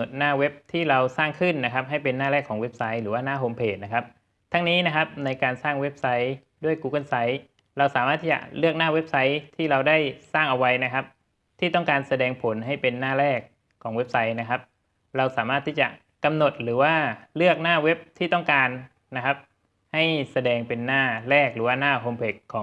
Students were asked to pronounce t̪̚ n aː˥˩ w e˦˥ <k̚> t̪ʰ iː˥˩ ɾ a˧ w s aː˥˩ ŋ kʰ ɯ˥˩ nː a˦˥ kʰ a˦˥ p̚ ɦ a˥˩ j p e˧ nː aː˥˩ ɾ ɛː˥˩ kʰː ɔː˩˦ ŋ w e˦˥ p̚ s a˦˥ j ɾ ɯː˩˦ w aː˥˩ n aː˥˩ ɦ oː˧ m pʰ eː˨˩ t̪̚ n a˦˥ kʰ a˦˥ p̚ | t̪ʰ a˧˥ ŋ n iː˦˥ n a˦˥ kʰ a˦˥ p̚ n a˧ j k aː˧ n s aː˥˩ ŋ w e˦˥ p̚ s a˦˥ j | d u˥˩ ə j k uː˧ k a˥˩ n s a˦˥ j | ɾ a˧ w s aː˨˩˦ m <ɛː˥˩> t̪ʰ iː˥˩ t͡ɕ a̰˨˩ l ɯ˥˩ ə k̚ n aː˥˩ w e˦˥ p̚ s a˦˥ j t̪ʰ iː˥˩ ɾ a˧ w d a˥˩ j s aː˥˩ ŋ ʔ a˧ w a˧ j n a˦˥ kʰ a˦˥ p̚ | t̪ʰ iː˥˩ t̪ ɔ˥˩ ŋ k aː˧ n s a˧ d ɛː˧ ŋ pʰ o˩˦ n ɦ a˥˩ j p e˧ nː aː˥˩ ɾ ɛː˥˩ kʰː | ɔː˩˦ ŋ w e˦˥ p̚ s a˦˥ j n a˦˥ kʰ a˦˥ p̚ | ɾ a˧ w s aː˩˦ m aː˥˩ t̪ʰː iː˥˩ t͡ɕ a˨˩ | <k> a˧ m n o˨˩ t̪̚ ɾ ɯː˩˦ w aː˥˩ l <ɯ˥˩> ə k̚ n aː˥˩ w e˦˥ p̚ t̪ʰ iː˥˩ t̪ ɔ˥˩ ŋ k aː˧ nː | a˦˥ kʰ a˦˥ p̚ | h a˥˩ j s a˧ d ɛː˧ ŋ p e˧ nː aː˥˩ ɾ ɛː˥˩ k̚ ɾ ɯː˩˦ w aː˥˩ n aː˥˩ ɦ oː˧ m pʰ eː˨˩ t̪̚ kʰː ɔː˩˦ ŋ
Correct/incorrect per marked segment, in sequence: incorrect: p̚, incorrect: aː˥˩, correct, correct

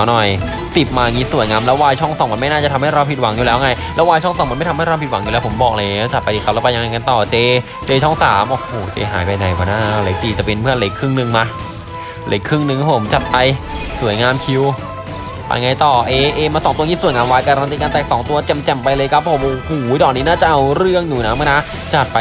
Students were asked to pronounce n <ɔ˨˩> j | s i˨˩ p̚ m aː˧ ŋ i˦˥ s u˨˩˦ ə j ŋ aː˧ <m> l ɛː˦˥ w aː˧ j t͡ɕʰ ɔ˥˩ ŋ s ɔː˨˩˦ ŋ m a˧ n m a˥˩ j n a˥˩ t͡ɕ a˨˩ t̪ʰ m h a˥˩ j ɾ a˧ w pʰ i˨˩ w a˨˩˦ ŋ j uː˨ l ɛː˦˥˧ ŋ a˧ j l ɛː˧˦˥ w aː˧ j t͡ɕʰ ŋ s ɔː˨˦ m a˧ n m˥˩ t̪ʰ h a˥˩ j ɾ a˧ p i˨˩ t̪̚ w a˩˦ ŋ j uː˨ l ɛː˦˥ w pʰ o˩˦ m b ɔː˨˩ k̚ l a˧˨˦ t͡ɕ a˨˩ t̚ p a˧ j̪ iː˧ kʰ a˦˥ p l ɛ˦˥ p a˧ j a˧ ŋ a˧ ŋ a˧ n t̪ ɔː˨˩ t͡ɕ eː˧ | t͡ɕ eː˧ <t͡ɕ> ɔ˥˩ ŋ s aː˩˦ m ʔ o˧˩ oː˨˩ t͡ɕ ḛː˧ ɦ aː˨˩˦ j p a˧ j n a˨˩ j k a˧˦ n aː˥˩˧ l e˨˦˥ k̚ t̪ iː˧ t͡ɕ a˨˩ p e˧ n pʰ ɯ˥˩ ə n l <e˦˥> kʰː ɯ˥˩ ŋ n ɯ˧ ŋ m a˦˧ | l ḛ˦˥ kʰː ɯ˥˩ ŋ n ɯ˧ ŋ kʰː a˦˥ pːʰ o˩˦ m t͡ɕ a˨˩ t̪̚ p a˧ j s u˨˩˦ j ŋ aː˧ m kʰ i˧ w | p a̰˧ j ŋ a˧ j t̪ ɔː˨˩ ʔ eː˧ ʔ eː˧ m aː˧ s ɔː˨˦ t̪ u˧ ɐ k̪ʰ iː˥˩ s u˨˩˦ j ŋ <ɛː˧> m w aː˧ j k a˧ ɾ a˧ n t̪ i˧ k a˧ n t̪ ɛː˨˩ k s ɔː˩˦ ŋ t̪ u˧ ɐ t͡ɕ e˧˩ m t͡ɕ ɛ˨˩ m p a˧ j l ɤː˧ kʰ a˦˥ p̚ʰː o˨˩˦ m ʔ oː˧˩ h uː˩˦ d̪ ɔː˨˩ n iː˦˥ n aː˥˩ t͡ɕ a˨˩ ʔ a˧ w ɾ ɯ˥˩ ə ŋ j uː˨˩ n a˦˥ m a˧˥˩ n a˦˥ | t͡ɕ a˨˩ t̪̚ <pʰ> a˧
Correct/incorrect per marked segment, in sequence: correct, correct, incorrect: t͡ɕʰ, correct, incorrect: aː˧, incorrect: p

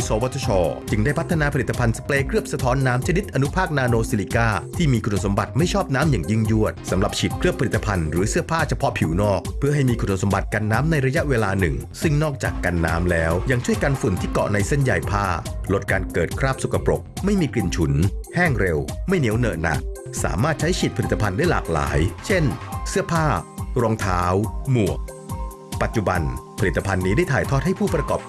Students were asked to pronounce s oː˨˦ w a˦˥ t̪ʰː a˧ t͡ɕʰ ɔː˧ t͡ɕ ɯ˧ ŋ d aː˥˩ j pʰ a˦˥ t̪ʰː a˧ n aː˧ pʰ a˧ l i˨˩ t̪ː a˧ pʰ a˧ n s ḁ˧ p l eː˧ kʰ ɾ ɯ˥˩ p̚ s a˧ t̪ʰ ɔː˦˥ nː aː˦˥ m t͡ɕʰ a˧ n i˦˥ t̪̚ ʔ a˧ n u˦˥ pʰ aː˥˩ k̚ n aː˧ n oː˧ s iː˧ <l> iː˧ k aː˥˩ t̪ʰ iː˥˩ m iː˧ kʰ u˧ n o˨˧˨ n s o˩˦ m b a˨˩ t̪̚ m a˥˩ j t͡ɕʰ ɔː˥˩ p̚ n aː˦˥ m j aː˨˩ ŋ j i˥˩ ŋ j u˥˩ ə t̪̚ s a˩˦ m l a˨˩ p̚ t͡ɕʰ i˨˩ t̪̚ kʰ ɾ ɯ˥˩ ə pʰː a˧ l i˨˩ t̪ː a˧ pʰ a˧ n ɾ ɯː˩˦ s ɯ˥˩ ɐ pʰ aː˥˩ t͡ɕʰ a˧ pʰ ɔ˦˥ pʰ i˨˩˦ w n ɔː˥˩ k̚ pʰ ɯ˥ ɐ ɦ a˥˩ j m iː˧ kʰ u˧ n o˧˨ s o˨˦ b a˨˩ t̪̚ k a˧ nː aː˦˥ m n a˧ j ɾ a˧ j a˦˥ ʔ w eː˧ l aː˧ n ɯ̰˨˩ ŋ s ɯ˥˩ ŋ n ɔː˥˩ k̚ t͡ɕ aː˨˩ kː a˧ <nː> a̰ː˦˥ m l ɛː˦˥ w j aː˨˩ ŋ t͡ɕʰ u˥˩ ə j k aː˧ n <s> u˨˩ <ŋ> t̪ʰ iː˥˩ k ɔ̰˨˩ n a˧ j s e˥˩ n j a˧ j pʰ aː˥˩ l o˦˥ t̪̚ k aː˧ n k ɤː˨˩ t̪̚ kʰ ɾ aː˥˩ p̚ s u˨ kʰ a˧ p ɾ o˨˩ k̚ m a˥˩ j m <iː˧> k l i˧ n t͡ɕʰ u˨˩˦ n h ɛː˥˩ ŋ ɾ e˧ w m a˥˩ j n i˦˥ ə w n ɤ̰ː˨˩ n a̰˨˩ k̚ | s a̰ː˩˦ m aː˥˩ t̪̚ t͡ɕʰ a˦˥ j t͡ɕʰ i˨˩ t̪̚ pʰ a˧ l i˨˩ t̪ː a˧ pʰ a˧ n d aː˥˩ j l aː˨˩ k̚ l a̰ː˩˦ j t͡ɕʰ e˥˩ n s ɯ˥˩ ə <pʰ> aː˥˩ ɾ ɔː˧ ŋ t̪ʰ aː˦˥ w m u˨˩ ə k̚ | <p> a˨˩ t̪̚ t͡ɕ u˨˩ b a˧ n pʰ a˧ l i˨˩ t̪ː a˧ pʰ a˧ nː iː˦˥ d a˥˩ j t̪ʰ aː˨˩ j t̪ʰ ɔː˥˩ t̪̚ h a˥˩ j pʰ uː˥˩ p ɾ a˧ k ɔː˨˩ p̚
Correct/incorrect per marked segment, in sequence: correct, correct, incorrect: f, incorrect: n, correct, correct, correct

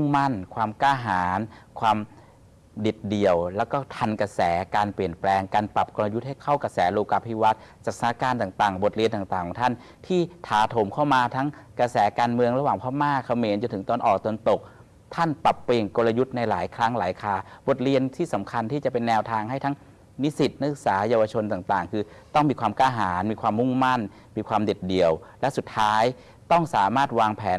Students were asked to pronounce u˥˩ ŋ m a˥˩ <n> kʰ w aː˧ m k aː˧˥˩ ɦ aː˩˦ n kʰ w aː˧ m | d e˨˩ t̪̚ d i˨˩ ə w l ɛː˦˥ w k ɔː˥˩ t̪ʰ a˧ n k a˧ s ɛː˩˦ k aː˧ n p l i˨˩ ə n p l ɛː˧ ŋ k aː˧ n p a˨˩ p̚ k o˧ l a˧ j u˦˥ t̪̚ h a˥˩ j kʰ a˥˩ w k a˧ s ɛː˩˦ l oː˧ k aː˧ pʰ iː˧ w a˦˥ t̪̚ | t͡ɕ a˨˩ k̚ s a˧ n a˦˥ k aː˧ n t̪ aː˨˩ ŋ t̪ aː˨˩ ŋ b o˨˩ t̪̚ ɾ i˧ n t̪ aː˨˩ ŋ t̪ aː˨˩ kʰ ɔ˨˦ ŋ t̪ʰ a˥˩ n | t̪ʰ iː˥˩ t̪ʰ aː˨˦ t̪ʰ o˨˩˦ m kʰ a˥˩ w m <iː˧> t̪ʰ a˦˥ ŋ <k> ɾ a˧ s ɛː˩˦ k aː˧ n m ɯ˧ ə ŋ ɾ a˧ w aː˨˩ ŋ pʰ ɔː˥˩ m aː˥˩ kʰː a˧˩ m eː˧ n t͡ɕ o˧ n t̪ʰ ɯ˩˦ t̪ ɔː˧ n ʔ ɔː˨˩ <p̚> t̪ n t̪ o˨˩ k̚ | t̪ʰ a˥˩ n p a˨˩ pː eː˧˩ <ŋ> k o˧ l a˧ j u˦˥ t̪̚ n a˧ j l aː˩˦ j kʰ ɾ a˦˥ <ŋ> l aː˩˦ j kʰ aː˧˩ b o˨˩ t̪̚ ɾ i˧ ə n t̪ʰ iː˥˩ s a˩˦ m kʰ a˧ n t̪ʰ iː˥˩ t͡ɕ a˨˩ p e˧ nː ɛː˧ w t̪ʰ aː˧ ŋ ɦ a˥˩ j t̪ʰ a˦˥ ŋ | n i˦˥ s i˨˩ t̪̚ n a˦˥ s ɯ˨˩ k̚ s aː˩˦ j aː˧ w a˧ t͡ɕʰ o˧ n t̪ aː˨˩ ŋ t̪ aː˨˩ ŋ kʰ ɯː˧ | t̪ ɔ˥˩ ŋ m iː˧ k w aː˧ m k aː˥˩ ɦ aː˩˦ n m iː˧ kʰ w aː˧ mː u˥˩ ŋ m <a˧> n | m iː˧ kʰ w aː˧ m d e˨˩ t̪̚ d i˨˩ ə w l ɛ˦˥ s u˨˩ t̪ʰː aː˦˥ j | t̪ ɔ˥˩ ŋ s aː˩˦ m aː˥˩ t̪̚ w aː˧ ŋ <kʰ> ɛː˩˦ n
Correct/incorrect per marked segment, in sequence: correct, incorrect: aː˧, correct, incorrect: k̚, correct, correct, incorrect: a˥˩, incorrect: pʰ

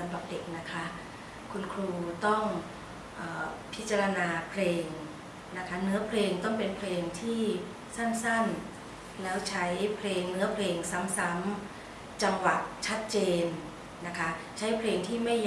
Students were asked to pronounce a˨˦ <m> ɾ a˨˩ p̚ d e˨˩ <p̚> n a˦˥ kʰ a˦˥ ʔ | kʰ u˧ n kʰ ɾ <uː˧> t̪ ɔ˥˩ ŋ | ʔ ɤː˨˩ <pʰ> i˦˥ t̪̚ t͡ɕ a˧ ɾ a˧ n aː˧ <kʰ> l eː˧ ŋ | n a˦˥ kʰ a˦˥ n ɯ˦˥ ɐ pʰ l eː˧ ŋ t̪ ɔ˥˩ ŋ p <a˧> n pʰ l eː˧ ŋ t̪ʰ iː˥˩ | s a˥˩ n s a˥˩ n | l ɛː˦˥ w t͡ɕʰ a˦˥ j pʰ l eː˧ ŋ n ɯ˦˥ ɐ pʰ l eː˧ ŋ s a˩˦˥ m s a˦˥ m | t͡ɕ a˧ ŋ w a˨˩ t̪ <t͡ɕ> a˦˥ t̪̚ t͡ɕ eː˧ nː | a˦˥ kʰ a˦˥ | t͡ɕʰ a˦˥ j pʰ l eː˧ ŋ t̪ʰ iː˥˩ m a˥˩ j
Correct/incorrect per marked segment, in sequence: correct, incorrect: k̚, correct, correct, incorrect: pʰ, incorrect: e˧, incorrect: t͡ɕʰ

